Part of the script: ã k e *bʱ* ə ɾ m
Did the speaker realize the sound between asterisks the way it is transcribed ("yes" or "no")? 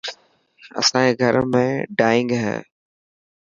no